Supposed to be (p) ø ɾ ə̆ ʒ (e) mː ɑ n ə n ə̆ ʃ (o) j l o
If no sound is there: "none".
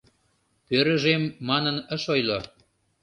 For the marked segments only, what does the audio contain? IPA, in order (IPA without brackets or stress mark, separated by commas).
p, e, o